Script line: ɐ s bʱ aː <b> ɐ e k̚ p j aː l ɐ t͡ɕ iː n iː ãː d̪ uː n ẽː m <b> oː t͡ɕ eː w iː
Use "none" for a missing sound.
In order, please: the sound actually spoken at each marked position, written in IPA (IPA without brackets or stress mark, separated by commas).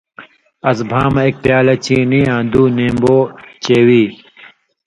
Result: m, b